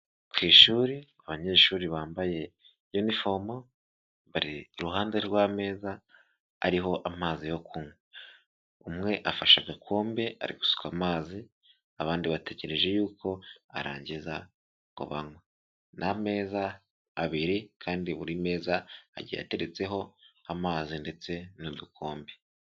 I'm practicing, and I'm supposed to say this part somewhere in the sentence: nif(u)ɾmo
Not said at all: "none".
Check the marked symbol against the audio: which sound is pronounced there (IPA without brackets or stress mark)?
o